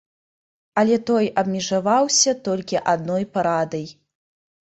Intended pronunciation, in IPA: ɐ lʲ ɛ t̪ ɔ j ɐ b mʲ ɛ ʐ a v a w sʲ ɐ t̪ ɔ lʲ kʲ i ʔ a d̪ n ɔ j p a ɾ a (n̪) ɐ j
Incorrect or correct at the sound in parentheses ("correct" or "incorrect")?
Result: incorrect